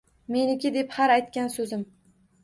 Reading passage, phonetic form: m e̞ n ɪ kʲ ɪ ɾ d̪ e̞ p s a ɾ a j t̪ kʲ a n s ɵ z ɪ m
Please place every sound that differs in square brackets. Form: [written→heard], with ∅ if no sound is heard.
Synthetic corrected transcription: m e̞ n ɪ kʲ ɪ [ɾ→∅] d̪ e̞ p [s→h] a ɾ a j t̪ kʲ a n s ɵ z ɪ m